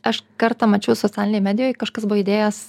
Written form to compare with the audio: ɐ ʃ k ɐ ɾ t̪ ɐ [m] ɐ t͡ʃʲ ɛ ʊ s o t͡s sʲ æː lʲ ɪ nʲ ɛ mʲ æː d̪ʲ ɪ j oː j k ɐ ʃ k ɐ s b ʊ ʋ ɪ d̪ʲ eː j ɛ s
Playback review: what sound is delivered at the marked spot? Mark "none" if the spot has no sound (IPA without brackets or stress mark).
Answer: m